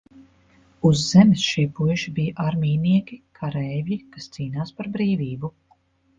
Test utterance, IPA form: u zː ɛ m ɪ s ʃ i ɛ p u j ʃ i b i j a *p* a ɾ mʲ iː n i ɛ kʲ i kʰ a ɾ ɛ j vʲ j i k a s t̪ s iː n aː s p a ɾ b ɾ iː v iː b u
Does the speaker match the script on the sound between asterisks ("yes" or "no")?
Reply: no